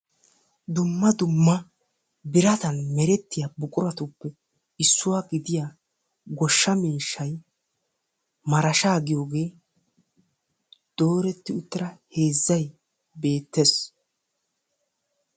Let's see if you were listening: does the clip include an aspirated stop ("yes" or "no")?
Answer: no